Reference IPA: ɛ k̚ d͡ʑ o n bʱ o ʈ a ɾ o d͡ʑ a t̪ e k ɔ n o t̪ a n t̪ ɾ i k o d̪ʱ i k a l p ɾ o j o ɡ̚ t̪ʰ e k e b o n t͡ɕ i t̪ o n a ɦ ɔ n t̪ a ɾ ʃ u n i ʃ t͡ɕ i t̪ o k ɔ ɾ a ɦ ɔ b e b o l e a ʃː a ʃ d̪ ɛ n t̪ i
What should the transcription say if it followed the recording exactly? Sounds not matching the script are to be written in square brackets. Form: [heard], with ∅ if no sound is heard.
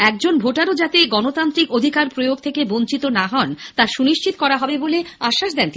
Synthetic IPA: ɛ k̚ d͡ʑ o n bʱ o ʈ a ɾ o d͡ʑ a t̪ e [ɡ] ɔ n o t̪ a n t̪ ɾ i k o d̪ʱ i k a [ɾ] p ɾ o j o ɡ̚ t̪ʰ e k e b o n t͡ɕ i t̪ o n a ɦ ɔ n t̪ a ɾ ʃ u n i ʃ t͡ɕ i t̪ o k ɔ ɾ a ɦ ɔ b e b o l e a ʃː a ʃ d̪ ɛ n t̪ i